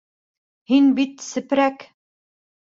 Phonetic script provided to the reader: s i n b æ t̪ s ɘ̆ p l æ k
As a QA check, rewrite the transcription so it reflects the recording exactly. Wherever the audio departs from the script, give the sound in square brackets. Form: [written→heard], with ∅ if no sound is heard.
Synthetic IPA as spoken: [s→h] i n b [æ→i] t̪ s ɘ̆ p [l→ɾ] æ k